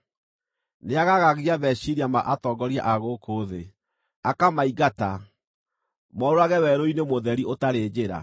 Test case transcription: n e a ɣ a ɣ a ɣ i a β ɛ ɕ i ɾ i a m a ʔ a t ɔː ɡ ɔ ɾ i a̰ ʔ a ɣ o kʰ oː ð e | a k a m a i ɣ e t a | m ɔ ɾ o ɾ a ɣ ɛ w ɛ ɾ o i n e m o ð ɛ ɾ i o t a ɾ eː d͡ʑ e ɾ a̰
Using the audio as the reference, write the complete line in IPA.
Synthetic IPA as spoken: n e a ɣ a ɣ a ɣ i a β ɛ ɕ i ɾ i a m a ʔ a t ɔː ɡ ɔ ɾ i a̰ ʔ a ɣ o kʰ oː ð e | a k a m a i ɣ a t a | m ɔ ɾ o ɾ a ɣ ɛ w ɛ ɾ o i n e m o ð ɛ ɾ i o t a ɾ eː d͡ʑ e ɾ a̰